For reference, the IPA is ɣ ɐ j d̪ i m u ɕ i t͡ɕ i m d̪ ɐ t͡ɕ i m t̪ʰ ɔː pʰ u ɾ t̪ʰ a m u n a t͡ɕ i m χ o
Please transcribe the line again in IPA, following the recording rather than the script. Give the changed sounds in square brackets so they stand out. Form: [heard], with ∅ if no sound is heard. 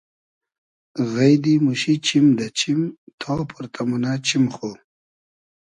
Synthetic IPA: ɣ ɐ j d̪ i m u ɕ i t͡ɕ i m d̪ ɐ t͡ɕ i m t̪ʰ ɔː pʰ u ɾ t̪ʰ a m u n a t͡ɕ i m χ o